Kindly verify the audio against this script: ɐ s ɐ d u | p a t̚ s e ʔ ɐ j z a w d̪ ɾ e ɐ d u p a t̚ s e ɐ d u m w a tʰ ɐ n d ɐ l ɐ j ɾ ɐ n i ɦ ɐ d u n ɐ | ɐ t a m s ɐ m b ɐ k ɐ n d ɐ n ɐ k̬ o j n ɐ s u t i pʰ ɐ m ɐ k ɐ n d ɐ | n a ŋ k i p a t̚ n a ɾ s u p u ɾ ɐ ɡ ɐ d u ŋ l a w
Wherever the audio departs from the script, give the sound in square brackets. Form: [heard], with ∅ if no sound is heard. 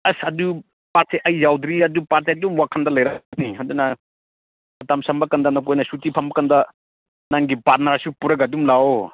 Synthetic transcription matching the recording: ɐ s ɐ d u | p a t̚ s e ʔ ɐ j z a w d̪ ɾ [i] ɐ d u p a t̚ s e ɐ d u m w a [kʰ] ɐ n d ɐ l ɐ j ɾ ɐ n i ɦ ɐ d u n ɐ | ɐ t a m s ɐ m b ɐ k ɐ n d ɐ n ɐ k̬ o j n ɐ s u t i pʰ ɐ m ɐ k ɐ n d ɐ | n a ŋ [ɡ] i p a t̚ n a ɾ s u p u ɾ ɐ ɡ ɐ d u [m] l a w